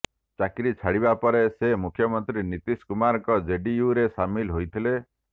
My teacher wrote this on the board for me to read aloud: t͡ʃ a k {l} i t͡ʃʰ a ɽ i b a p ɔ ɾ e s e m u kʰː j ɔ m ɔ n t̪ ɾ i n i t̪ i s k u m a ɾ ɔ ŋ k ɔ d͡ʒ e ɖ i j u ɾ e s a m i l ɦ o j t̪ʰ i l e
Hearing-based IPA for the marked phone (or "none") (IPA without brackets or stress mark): ɾ